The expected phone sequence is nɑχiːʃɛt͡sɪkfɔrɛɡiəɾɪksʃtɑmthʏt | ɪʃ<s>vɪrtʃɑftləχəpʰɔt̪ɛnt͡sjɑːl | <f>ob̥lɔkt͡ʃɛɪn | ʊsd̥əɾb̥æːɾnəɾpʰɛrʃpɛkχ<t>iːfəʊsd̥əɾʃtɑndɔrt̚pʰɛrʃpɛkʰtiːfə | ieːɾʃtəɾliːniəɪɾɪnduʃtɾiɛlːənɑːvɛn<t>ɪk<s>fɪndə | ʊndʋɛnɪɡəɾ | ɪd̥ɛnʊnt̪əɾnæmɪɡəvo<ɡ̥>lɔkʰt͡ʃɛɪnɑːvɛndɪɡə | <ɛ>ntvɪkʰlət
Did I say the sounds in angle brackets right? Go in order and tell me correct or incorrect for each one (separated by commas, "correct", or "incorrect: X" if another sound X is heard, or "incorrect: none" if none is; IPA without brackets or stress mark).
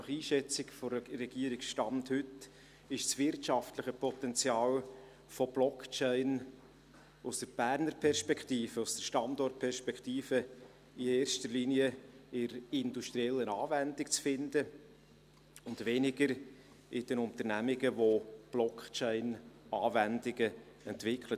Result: correct, correct, correct, incorrect: d, incorrect: t͡s, incorrect: b̥, correct